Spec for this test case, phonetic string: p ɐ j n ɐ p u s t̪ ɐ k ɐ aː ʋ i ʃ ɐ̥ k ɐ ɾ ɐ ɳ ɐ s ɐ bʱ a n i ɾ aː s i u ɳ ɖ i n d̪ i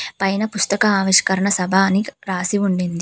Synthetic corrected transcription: p ɐ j n ɐ p u s t̪ ɐ k ɐ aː ʋ i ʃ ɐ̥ k ɐ ɾ ɐ ɳ ɐ s ɐ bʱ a n i ɾ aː s i u ɳ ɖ i n d̪ i

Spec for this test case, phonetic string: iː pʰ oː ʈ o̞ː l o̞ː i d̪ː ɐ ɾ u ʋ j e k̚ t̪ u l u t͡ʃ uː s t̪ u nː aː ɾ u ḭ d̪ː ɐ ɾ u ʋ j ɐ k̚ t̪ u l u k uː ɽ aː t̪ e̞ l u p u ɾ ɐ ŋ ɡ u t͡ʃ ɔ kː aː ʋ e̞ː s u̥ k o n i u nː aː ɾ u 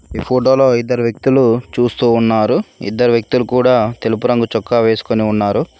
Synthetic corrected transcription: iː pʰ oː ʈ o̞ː l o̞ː i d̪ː ɐ ɾ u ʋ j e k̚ t̪ u l u t͡ʃ uː s t̪ uː nː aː ɾ u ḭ d̪ː ɐ ɾ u ʋ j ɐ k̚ t̪ u l u k uː ɽ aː t̪ e̞ l u p u ɾ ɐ ŋ ɡ u t͡ʃ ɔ kː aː ʋ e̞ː s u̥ k o n i u nː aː ɾ u

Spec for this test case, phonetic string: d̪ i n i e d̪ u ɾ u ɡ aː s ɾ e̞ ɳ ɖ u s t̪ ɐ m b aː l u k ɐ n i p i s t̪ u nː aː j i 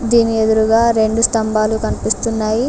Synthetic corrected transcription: d̪ iː n i e d̪ u ɾ u ɡ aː ɾ e̞ ɳ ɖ u s t̪ ɐ m b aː l u k ɐ n i p i s t̪ u nː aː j i

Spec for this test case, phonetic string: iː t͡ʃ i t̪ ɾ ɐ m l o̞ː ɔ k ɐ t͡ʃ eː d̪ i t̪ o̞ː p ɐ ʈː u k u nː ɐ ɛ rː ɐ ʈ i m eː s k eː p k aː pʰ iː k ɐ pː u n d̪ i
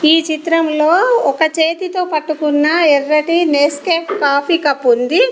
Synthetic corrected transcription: iː t͡ʃ i t̪ ɾ ɐ m l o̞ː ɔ k ɐ t͡ʃ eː t̪ i t̪ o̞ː p ɐ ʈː u k u nː ɐ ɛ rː ɐ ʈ i n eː s k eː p k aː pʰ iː k ɐ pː u n d̪ i

